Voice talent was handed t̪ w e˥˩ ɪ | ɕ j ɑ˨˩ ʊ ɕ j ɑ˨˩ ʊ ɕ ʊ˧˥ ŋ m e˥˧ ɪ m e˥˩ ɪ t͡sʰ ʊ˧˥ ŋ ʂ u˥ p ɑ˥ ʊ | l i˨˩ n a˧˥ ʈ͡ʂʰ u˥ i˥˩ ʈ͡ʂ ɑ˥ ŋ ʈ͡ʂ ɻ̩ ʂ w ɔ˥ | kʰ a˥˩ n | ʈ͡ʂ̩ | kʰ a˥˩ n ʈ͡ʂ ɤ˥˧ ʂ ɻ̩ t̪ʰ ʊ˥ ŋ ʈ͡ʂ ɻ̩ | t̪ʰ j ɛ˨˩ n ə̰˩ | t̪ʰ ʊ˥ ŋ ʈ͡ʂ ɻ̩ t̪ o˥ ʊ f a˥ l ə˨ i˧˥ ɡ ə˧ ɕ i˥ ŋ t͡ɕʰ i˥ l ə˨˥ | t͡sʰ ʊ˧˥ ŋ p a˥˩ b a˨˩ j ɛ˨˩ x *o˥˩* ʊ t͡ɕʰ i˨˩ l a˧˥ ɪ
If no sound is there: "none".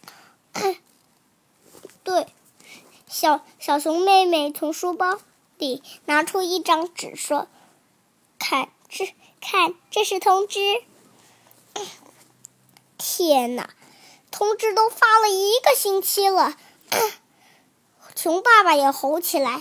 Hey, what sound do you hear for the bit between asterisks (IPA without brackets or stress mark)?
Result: o˧˥